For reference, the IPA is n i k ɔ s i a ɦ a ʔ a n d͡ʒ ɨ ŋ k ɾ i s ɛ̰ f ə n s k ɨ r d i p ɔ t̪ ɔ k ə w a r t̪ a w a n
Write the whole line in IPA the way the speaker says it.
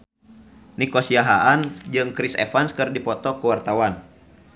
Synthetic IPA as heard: n i k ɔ s i a ɦ a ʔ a n d͡ʒ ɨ ŋ k ɾ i s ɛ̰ f a n s k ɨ r d i p ɔ t̪ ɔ k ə w a r t̪ a w a n